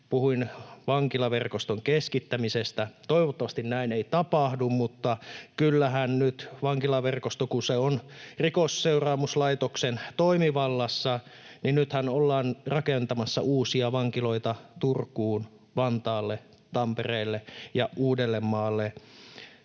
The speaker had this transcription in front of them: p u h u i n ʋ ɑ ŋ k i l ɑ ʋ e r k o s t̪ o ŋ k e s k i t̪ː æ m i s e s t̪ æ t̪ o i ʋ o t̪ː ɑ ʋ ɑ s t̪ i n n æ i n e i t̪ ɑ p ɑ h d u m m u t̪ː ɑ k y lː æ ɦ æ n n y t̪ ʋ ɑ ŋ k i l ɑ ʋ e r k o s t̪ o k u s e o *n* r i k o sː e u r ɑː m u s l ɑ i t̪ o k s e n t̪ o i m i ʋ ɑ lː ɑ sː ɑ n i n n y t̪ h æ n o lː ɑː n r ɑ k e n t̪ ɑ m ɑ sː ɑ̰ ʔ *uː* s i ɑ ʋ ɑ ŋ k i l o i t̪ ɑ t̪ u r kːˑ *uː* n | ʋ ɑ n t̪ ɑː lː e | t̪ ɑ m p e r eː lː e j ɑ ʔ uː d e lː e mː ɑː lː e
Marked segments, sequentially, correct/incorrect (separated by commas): correct, correct, correct